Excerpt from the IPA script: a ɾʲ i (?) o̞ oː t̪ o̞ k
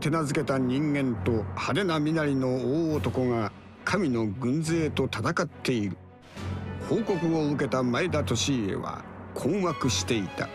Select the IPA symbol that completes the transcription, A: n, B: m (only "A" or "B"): A